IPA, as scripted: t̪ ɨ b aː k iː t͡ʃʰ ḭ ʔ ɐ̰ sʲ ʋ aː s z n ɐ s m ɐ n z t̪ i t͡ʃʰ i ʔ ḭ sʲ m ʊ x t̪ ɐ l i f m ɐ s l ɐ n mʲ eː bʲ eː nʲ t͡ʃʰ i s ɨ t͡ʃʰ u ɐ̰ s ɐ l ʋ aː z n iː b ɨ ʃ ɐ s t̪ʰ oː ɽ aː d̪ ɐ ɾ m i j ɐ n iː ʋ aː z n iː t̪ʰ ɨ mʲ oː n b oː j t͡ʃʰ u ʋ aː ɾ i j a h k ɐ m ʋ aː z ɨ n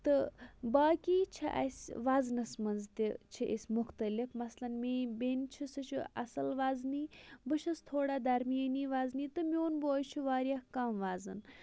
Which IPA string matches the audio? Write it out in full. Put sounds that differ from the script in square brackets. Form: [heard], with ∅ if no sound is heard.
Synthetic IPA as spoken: t̪ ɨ b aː k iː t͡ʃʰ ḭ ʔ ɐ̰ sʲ ʋ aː [∅] z n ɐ s m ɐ n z t̪ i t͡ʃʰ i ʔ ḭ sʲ m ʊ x t̪ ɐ l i f m ɐ s l ɐ n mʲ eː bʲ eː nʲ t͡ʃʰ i s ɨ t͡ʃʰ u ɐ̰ s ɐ l ʋ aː z n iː b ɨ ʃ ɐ s t̪ʰ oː ɽ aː d̪ ɐ ɾ m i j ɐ n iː ʋ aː z n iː [t̪] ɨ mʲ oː n b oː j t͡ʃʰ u ʋ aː ɾ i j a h k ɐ m ʋ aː z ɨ n